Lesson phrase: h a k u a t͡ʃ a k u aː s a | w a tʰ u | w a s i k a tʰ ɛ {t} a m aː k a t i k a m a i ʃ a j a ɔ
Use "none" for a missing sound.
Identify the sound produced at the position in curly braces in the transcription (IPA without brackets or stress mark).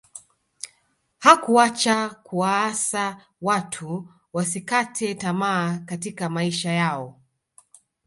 t